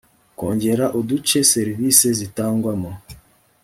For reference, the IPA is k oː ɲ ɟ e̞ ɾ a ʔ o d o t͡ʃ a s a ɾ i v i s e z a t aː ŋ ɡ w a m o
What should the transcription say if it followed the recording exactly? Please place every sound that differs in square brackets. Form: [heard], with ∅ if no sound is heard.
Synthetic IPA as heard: k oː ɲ ɟ e̞ ɾ a ʔ o d [u] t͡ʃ [e] s [e] ɾ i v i s e z [i] t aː ŋ ɡ w a m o